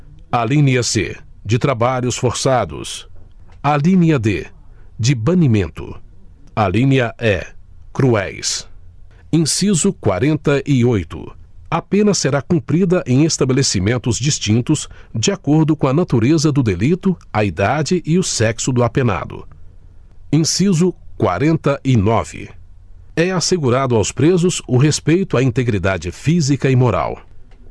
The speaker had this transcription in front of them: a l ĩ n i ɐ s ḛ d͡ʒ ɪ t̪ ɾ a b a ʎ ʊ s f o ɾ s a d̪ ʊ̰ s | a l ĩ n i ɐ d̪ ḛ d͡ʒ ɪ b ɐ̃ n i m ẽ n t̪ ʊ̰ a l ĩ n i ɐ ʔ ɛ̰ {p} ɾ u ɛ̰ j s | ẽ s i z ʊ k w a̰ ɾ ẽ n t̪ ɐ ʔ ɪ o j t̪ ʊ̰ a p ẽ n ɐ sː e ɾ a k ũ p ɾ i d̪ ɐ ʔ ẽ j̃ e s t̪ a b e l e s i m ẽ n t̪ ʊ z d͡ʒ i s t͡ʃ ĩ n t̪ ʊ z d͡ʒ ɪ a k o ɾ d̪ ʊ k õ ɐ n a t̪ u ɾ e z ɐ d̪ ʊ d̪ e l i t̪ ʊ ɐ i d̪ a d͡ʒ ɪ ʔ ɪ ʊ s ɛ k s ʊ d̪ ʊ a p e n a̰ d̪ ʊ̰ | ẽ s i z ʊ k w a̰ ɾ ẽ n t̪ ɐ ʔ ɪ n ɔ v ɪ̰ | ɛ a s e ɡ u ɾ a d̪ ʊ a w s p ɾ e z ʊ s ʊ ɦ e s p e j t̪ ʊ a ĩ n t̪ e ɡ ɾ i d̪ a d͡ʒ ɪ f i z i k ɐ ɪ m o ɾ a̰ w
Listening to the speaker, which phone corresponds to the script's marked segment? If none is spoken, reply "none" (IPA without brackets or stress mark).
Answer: k